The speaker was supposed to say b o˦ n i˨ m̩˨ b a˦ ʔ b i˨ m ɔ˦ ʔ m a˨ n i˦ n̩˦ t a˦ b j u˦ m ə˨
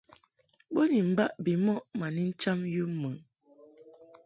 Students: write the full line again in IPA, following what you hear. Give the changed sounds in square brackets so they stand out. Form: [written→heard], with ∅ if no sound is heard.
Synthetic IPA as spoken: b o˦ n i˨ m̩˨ b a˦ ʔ b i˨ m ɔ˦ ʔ m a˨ n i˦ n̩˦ [t→t͡ʃ] a˦ [b→m] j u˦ m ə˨